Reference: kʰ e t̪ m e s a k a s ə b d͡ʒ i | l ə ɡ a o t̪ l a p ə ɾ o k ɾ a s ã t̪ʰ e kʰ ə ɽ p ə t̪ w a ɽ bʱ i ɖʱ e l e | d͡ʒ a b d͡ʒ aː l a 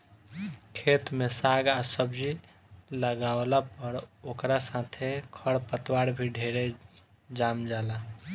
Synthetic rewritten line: kʰ e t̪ m e s a ɡ a s ə b d͡ʒ i | l ə ɡ a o l a p ə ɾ o k ɾ a s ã t̪ʰ e kʰ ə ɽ p ə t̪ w a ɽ bʱ i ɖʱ e ɾ e | d͡ʒ a m d͡ʒ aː l a